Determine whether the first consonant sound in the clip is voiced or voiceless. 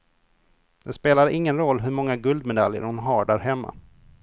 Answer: voiced